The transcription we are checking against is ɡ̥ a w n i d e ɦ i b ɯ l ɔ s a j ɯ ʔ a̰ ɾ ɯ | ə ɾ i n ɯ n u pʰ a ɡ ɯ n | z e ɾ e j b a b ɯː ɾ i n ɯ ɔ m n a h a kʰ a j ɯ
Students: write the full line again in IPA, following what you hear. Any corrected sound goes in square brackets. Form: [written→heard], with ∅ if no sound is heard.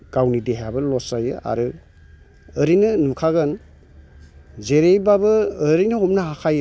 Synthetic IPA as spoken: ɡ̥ a w n i d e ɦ [i→a] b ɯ l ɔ s a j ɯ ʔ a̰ ɾ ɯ | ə ɾ i n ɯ n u [pʰ→kʰ] a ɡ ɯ n | z e ɾ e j b a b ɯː ɾ i n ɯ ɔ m n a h a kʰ a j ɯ